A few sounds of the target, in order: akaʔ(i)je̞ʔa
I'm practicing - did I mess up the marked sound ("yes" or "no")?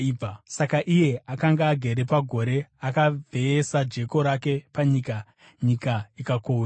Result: no